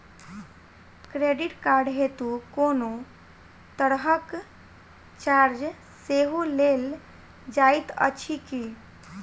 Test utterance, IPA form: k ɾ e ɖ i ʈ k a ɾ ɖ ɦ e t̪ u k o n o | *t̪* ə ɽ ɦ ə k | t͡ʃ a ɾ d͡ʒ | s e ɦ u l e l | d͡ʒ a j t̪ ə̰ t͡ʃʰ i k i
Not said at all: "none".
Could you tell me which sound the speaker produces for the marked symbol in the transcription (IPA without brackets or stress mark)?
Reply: t̪